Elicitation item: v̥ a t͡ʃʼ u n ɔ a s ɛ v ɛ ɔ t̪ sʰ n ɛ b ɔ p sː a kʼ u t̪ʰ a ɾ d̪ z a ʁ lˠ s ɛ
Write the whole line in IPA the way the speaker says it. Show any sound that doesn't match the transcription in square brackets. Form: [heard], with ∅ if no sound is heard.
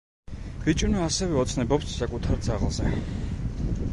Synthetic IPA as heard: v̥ [i] t͡ʃʼ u n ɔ a s ɛ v ɛ ɔ t̪ sʰ n ɛ b ɔ p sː a kʼ u t̪ʰ a ɾ d̪ z a ʁ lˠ [z] ɛ